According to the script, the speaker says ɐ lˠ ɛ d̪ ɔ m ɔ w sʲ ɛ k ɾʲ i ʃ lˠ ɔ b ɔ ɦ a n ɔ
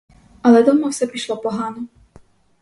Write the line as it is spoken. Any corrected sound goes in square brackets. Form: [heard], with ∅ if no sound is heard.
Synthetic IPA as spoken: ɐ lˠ ɛ d̪ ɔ m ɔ w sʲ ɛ [p] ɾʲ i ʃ lˠ ɔ [p] ɔ ɦ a n ɔ